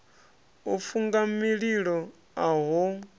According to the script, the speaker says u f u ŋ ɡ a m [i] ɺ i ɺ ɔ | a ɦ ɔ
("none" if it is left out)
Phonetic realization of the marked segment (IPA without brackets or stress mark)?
i